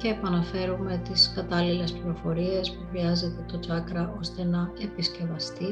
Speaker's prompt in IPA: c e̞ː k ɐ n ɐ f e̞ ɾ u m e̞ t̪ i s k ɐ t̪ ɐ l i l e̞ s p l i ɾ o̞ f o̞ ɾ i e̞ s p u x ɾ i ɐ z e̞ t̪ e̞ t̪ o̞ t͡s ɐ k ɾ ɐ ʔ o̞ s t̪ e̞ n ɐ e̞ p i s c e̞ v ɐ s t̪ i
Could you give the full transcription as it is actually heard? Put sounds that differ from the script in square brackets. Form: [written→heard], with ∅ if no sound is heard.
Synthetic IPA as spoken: c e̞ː [k→p] ɐ n ɐ f e̞ ɾ u m e̞ t̪ i s k ɐ t̪ ɐ l i l e̞ s p l i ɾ o̞ f o̞ ɾ i e̞ s p u x ɾ i ɐ z e̞ t̪ e̞ t̪ o̞ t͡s ɐ k ɾ ɐ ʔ o̞ s t̪ e̞ n ɐ e̞ p i s c e̞ v ɐ s t̪ i